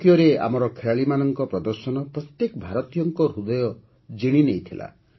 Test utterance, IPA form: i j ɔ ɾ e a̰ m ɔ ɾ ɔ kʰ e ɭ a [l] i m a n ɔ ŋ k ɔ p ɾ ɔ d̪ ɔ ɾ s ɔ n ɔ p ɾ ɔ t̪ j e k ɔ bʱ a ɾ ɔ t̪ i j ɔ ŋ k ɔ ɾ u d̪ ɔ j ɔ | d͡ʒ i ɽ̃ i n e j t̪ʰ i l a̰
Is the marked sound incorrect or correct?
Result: incorrect